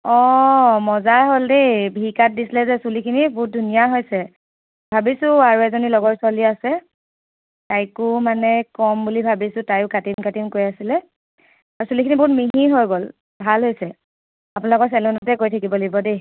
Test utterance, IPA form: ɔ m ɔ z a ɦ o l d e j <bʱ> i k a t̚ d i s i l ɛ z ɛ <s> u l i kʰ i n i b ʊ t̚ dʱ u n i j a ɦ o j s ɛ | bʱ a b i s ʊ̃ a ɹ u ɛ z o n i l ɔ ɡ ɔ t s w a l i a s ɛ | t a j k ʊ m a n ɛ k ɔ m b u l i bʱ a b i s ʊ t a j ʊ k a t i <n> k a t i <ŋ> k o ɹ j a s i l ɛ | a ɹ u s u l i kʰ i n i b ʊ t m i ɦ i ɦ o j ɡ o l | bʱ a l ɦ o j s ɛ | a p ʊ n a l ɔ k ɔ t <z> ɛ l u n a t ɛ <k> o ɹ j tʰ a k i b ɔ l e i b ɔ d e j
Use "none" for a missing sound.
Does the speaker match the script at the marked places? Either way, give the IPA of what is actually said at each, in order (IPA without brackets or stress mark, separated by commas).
bʱ, s, m, m, s, k